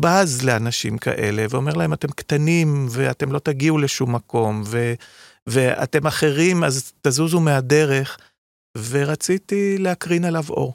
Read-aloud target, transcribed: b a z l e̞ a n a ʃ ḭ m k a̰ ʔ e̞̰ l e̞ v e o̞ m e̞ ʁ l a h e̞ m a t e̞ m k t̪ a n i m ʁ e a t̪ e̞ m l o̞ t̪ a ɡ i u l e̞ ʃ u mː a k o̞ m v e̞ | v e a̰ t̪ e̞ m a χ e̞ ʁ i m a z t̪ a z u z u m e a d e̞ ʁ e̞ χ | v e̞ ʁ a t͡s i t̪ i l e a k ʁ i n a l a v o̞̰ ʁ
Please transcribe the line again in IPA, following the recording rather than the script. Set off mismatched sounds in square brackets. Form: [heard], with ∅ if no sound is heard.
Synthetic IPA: b a z l e̞ a n a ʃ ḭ m k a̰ ʔ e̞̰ l e̞ v e o̞ m e̞ ʁ l a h e̞ m a t e̞ m k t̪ a n i m [v] e a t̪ e̞ m l o̞ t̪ a ɡ i u l e̞ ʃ u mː a k o̞ m v e̞ | v e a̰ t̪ e̞ m a χ e̞ ʁ i m a z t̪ a z u z u m e a d e̞ ʁ e̞ χ | v e̞ ʁ a t͡s i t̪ i l e a k ʁ i n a l a v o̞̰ ʁ